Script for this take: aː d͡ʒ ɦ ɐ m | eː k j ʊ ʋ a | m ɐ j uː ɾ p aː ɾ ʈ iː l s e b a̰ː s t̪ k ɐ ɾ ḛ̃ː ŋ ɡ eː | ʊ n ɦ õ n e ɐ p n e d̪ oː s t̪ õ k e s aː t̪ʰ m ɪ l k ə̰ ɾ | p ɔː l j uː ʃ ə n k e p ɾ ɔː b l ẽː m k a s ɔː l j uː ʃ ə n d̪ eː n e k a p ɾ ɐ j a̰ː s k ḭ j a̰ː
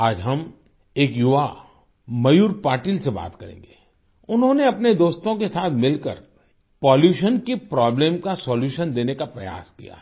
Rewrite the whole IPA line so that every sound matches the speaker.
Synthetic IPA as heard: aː d͡ʒ ɦ ɐ m | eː k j ʊ ʋ a | m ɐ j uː ɾ p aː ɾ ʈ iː l s e b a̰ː t̪ k ɐ ɾ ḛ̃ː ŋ ɡ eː | ʊ n ɦ õ n e ɐ p n e d̪ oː s t̪ õ k e s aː t̪ʰ m ɪ l k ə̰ ɾ | p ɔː l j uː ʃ ə n k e p ɾ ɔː b l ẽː m k a s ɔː l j uː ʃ ə n d̪ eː n e k a p ɾ ɐ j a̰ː s k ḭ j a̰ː

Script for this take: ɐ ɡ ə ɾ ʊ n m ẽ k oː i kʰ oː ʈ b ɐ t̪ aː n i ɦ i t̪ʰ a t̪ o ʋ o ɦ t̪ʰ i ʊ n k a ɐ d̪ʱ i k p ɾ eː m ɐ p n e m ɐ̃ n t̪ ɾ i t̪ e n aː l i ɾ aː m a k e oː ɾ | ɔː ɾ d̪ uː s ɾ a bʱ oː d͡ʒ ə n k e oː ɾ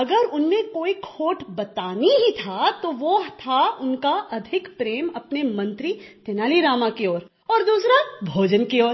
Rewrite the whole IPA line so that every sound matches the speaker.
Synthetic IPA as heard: ɐ ɡ ə ɾ ʊ n m ẽ k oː i kʰ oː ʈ b ɐ t̪ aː n i ɦ i t̪ʰ a t̪ o ʋ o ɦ t̪ʰ a ʊ n k a ɐ d̪ʱ ɪ k p ɾ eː m ɐ p n e m ɐ̃ n t̪ ɾ i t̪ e n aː l i ɾ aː m a k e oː ɾ | ɔː ɾ d̪ uː s ɾ a bʱ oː d͡ʒ ə n k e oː ɾ

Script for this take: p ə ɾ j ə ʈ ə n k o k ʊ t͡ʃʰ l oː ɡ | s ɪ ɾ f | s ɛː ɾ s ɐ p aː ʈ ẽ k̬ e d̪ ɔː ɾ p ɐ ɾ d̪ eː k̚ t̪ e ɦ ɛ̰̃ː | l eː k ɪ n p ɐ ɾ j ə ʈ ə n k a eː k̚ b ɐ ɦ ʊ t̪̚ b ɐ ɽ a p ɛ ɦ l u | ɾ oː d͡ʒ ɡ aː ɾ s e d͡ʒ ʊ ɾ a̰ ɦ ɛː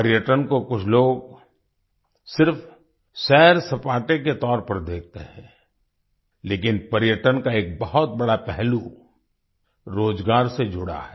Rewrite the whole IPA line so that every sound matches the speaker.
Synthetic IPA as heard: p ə ɾ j ə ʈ ə n k o k ʊ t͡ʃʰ l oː ɡ | s ɪ ɾ f | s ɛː ɾ s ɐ p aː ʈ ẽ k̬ e t̪ ɔː ɾ p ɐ ɾ d̪ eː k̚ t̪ e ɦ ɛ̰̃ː | l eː k ɪ n p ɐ ɾ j ə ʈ ə n k a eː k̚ b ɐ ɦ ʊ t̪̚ b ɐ ɽ a p ɛ ɦ l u | ɾ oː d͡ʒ ɡ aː ɾ s e d͡ʒ ʊ ɽ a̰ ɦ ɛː

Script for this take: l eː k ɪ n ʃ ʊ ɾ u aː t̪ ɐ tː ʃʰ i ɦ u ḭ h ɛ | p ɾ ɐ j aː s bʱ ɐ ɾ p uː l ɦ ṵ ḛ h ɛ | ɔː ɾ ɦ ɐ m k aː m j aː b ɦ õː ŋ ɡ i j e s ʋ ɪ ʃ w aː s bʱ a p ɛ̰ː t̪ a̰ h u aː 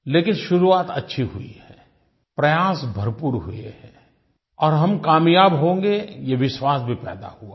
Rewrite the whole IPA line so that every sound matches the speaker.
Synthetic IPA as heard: l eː k ɪ n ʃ ʊ ɾ u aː t̪ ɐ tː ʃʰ i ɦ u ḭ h ɛ | p ɾ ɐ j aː s bʱ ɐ ɾ p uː ɾ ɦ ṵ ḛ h ɛ | ɔː ɾ ɦ ɐ m k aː m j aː b ɦ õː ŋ ɡ e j e ʋ ɪ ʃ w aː s bʱ i p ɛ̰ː d̪ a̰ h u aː

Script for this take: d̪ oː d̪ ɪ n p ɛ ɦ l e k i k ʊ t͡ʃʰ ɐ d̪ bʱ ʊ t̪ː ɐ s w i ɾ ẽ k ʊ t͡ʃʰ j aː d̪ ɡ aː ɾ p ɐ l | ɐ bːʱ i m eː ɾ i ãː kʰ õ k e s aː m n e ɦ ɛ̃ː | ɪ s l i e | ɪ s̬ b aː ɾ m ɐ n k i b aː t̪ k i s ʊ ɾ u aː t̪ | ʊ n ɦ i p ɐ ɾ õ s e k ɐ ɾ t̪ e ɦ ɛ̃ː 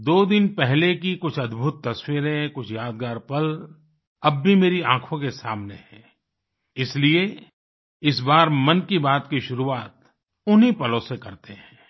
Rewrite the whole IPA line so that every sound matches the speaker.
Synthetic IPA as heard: d̪ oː d̪ ɪ n p ɛ ɦ l e k i k ʊ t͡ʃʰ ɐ d̪ bʱ ʊ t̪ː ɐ s w i ɾ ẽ k ʊ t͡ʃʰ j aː d̪ ɡ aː ɾ p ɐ l | ɐ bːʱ i m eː ɾ i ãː kʰ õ k e s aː m n e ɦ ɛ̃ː | ɪ s l i e | ɪ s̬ b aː ɾ m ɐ n k i b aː t̪ k i ʃ ʊ ɾ u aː t̪ | ʊ n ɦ i p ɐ l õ s e k ɐ ɾ t̪ e ɦ ɛ̃ː

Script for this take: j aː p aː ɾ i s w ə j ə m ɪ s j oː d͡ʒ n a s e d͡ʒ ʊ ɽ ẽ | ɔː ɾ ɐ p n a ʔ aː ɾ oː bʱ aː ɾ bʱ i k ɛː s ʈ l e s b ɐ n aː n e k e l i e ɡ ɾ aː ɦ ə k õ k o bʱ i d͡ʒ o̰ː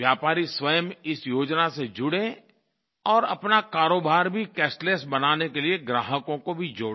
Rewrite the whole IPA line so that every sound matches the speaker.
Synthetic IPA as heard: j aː p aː ɾ i s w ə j ə m ɪ s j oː d͡ʒ n a s e d͡ʒ ʊ ɽ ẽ | ɔː ɾ ɐ p n a k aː ɾ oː bʱ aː ɾ bʱ i k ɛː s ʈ l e s b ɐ n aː n e k e l i e ɡ ɾ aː ɦ ə k õ k o bʱ i d͡ʒ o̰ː

